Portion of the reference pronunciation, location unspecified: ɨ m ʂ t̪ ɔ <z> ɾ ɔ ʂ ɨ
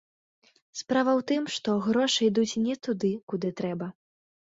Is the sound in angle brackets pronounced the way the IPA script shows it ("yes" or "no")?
no